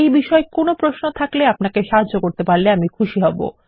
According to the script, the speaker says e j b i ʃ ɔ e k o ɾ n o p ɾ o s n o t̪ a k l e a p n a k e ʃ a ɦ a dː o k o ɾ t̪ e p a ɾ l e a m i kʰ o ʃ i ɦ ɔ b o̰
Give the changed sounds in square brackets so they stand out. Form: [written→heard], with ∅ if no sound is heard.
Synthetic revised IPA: e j b i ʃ ɔ e k o [ɾ→∅] n o p ɾ o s n o [t̪→t̪ʰ] a k l e a p n a k e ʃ a ɦ a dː o k o ɾ t̪ e p a ɾ l e a m i kʰ [o→u] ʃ i ɦ ɔ b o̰